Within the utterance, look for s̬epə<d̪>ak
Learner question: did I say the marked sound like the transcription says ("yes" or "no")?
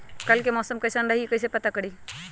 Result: no